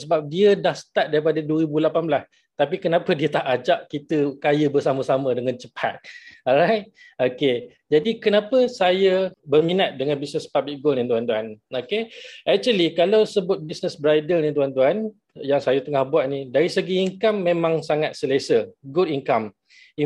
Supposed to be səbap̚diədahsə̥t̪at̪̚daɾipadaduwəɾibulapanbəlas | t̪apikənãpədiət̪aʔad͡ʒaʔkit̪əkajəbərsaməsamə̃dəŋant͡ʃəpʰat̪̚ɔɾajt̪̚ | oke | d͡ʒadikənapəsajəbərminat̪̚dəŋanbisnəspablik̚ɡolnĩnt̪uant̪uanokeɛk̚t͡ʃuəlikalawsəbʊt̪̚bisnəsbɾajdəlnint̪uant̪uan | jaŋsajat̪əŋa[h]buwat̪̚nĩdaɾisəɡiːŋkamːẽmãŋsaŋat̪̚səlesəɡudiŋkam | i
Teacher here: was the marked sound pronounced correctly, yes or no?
yes